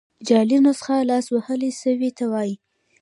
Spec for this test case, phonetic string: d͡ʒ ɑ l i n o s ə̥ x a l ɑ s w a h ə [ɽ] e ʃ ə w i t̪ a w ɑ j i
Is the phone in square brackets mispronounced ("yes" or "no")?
yes